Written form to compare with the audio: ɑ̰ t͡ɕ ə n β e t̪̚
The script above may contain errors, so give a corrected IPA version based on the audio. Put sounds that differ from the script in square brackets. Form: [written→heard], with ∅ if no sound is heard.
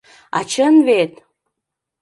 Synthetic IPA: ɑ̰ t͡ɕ ə n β e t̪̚